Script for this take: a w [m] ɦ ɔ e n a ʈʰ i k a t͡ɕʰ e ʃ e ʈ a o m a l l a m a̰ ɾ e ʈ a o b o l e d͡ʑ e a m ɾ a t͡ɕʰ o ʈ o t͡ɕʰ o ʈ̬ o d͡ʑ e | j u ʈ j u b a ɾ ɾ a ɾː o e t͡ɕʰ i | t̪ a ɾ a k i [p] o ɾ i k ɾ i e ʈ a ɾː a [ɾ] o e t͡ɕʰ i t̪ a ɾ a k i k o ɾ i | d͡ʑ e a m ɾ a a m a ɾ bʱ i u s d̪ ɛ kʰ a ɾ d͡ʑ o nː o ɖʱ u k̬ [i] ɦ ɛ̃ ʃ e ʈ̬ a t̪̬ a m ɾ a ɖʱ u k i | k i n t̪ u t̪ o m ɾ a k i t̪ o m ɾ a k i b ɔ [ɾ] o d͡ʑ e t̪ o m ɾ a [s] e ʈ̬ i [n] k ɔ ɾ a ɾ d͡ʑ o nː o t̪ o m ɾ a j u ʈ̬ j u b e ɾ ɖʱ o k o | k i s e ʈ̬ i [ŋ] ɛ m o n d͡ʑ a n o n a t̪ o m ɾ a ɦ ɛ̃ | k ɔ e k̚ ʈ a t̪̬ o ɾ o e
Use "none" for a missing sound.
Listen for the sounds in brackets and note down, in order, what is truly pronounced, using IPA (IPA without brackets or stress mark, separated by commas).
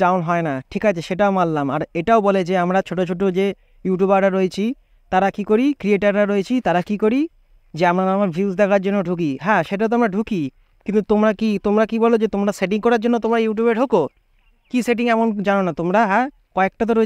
n, k, ɾ, i, l, s, ŋ, ŋ